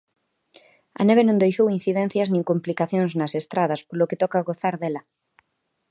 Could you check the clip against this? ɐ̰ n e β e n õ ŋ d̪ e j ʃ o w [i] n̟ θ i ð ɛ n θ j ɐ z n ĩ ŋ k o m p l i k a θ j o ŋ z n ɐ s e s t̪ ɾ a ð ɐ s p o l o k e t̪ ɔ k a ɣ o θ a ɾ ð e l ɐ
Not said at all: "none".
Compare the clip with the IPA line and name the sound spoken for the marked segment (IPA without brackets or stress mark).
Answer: i